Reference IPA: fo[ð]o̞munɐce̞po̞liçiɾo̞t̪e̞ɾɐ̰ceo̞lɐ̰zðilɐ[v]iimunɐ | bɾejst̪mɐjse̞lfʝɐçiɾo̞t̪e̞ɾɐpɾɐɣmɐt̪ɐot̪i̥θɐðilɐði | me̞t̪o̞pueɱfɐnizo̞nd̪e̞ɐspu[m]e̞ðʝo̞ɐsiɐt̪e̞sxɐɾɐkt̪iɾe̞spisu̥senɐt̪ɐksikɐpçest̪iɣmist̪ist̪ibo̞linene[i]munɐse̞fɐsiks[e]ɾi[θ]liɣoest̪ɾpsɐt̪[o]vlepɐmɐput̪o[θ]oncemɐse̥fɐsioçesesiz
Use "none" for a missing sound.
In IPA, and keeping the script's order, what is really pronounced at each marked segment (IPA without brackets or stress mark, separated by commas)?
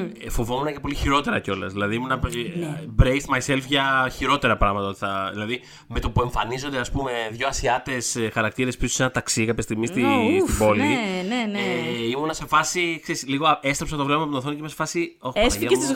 v, ð, m, i, e, s, o, θ